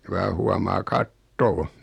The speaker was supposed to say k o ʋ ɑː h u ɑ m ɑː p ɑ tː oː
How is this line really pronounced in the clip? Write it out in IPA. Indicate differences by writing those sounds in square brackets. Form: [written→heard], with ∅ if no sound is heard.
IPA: k [o→u] ʋ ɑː h u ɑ m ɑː [p→k] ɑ tː oː